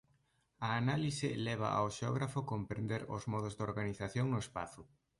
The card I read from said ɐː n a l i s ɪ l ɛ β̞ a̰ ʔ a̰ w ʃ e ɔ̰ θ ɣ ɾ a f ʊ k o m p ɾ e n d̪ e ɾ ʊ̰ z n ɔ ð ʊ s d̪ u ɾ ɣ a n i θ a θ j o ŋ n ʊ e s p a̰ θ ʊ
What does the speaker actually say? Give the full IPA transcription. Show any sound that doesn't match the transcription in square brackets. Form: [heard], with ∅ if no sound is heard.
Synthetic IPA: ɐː n a l i s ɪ l ɛ β̞ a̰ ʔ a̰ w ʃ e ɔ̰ [∅] ɣ ɾ a f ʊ k o m p ɾ e n d̪ e ɾ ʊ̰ z [m] ɔ ð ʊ [z] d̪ [o] ɾ ɣ a n i θ a θ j o ŋ n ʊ e s p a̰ θ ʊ